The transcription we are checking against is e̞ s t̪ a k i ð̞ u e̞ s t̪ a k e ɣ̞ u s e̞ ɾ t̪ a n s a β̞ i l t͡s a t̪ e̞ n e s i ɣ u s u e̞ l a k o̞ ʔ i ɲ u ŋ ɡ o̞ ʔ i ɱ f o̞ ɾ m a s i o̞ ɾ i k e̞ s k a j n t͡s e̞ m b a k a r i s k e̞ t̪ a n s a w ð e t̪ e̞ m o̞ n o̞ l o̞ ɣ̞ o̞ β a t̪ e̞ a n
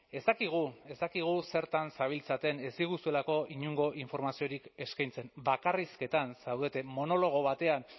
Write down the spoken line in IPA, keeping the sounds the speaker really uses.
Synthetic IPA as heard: e̞ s t̪ a k i ɣ̞ u e̞ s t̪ a k i ɣ̞ u s e̞ ɾ t̪ a n s a β̞ i l t͡s a t̪ e̞ n e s i ɣ u s u e̞ l a k o̞ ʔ i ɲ u ŋ ɡ o̞ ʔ i ɱ f o̞ ɾ m a s i o̞ ɾ i k e̞ s k a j n t͡s e̞ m b a k a r i s k e̞ t̪ a n s a w ð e t̪ e̞ m o̞ n o̞ l o̞ ɣ̞ o̞ β a t̪ e̞ a n